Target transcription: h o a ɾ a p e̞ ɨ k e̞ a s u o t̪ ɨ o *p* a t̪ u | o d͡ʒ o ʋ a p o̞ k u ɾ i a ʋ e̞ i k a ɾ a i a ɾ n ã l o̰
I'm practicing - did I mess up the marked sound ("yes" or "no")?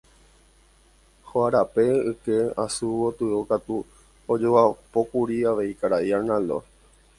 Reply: yes